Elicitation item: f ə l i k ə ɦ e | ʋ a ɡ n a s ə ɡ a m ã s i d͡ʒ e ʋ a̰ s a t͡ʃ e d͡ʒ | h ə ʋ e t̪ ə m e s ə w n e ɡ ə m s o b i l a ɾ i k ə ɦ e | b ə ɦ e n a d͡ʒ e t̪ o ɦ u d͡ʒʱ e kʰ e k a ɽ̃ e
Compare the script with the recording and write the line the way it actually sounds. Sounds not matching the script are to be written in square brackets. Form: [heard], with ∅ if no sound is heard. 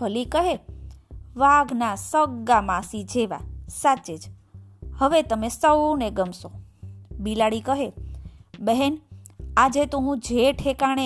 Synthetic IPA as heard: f ə l i k ə ɦ e | ʋ a ɡ n a s ə ɡ a m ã s i d͡ʒ e ʋ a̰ s a t͡ʃ e d͡ʒ | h ə ʋ e t̪ ə m e s ə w n e ɡ ə m s o b i l a [ɽ] i k ə ɦ e | b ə ɦ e n a d͡ʒ e t̪ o ɦ [ũ] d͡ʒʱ e [ʈʰ] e k a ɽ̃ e